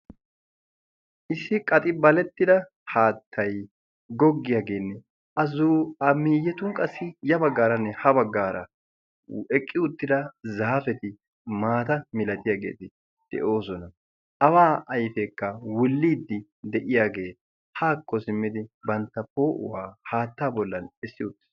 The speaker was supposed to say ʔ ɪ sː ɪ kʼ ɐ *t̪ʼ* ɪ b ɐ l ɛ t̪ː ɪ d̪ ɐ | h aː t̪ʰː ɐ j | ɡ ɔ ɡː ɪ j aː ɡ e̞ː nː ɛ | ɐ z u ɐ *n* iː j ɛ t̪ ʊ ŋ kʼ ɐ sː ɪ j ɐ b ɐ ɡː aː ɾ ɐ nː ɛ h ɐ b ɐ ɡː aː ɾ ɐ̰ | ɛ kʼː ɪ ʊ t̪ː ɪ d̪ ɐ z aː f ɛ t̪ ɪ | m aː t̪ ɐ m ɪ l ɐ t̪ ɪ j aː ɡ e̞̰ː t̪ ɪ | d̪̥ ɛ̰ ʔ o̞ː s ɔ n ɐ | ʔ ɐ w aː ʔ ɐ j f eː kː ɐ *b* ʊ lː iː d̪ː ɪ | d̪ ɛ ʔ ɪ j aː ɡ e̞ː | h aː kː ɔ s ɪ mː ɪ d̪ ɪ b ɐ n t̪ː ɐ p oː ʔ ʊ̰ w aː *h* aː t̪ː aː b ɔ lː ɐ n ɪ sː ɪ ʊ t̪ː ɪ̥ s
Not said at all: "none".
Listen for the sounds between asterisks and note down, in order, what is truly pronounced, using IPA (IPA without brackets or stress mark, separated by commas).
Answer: t̪ʼ, m, w, h